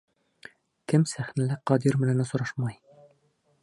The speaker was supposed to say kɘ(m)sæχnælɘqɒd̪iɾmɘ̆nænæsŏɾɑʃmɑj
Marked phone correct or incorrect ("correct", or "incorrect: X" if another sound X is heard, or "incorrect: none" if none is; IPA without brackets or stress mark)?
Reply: correct